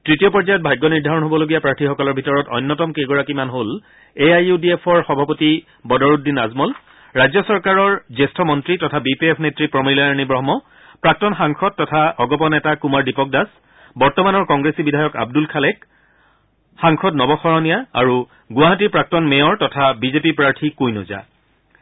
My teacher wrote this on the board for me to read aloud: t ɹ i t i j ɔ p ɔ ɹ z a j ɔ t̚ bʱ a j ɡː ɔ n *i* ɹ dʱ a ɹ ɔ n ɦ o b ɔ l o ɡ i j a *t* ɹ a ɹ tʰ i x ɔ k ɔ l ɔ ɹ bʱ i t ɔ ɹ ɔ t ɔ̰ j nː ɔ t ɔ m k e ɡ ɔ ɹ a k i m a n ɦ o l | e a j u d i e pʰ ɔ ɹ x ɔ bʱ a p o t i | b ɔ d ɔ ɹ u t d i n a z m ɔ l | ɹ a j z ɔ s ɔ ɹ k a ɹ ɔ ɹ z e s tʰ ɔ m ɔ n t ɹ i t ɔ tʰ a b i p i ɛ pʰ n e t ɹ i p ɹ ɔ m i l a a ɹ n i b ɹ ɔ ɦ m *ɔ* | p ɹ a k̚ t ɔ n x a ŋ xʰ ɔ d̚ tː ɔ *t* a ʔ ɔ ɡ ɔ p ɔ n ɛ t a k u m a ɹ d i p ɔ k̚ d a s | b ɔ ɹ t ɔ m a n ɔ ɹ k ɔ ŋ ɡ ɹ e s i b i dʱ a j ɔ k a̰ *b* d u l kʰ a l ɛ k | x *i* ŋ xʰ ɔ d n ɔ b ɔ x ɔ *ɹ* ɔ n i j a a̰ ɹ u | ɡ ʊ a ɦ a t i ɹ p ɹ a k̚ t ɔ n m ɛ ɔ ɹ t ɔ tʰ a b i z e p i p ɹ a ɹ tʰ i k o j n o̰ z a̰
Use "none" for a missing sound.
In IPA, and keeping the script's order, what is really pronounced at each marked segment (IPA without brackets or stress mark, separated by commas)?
i, p, ɔ, tʰ, b, a, ɹ